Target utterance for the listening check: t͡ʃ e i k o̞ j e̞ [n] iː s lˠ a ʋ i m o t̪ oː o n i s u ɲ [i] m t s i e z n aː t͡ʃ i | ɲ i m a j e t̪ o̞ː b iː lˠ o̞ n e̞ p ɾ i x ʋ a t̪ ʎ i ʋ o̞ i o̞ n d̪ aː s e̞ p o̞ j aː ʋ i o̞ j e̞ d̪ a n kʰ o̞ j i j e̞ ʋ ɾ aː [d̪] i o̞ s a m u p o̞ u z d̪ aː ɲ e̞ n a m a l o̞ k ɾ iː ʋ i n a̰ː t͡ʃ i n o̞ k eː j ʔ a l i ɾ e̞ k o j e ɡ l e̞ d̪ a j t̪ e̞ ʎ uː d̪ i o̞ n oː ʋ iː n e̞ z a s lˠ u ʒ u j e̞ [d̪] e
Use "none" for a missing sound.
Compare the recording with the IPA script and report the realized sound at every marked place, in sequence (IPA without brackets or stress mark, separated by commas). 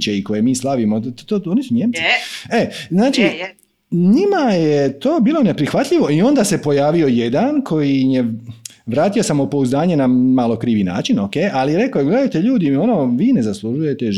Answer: m, e, t̪, t̪